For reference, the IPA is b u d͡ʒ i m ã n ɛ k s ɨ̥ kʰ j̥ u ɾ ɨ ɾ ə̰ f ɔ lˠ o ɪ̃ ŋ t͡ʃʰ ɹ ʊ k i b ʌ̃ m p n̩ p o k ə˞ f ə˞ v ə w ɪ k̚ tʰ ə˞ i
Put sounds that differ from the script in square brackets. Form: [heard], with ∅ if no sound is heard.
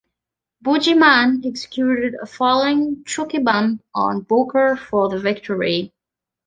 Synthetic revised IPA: b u d͡ʒ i m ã n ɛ k s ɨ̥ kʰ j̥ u ɾ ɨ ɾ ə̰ f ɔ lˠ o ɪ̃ ŋ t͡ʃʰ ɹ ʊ k i b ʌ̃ m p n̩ [b] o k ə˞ f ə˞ [ð] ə [v] ɪ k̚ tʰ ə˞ i